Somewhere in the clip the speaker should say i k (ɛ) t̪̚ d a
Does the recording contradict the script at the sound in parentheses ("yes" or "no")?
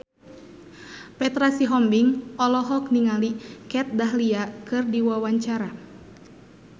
no